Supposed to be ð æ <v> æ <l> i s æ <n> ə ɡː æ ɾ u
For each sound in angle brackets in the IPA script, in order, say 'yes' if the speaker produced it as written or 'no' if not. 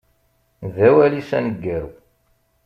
no, yes, yes

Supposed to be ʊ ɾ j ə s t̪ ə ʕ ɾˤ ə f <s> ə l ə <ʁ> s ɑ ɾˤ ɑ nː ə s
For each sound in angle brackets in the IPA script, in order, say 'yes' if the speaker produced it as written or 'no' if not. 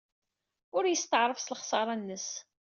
yes, no

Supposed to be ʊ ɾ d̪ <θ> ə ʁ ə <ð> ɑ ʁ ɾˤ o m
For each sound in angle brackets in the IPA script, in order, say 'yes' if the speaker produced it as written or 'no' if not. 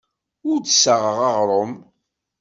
no, no

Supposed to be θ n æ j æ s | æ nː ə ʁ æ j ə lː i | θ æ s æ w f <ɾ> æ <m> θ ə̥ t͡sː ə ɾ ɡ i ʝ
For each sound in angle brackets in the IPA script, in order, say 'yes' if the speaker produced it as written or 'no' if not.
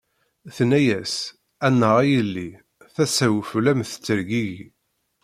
no, yes

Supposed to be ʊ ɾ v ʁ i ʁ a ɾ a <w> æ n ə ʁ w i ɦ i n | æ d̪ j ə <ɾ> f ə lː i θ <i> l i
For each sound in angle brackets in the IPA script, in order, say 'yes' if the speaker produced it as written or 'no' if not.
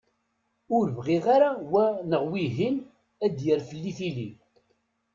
yes, yes, yes

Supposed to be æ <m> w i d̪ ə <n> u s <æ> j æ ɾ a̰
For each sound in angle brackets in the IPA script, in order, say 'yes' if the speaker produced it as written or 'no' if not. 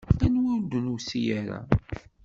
no, yes, no

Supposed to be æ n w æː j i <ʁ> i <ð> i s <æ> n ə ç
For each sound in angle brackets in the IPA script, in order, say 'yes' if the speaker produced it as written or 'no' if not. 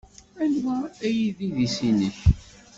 no, yes, no

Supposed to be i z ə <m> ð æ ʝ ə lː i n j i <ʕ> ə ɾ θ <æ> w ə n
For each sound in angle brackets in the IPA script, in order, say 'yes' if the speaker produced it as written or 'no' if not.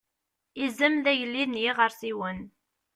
yes, no, no

